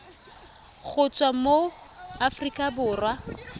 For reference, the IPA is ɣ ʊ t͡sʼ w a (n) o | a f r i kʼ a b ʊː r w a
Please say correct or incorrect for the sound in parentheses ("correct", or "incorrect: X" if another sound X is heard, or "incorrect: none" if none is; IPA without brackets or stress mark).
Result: incorrect: m